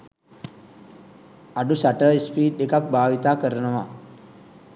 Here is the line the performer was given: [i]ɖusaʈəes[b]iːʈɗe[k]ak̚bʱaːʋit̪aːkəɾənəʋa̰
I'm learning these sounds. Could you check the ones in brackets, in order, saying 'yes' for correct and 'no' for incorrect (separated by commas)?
no, no, yes